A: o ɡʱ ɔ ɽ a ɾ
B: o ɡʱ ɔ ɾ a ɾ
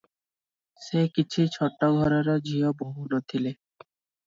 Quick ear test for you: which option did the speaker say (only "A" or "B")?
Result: B